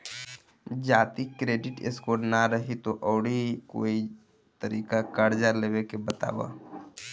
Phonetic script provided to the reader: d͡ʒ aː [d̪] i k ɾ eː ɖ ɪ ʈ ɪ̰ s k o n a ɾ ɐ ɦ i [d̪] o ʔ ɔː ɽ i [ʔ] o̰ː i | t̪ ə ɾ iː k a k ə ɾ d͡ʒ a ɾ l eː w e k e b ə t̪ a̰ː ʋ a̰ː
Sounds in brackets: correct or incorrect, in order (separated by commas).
incorrect, incorrect, incorrect